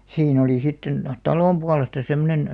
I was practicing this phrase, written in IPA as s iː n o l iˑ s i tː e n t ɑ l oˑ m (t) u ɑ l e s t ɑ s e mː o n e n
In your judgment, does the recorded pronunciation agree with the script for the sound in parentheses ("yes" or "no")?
no